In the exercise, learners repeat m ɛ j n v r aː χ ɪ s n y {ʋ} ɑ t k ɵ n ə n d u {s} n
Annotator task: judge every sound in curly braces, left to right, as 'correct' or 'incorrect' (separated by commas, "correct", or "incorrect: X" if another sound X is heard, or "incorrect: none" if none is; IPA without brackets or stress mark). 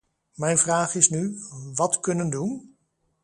correct, incorrect: none